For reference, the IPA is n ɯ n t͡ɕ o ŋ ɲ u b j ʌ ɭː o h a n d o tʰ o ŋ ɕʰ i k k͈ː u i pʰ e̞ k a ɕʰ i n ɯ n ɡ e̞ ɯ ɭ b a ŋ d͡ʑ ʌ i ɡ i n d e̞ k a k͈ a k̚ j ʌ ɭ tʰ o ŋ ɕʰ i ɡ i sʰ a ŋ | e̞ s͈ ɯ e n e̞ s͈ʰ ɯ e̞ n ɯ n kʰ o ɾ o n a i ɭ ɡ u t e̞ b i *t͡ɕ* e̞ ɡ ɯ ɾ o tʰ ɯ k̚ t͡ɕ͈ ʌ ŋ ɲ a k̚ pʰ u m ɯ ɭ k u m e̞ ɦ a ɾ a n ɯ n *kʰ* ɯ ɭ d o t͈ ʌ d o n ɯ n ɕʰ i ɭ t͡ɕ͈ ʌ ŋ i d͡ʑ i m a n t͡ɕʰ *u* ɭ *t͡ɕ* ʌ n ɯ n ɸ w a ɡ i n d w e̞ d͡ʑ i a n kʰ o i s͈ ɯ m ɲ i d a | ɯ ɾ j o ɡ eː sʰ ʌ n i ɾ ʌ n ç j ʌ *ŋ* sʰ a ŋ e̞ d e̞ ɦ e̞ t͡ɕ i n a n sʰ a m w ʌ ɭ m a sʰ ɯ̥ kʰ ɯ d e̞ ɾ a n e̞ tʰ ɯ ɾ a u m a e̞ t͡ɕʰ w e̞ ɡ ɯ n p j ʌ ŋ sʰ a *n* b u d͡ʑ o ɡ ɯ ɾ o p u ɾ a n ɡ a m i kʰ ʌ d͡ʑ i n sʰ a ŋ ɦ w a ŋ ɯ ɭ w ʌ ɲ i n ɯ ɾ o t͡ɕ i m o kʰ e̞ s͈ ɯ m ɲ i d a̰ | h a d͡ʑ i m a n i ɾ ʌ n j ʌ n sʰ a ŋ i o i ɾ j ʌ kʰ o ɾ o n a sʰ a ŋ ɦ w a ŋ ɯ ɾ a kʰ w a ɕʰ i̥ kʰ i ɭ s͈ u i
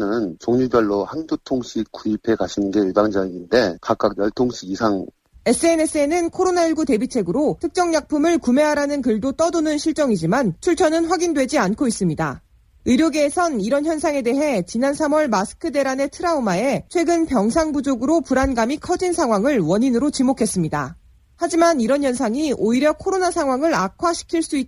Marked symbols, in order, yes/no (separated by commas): no, no, yes, no, no, no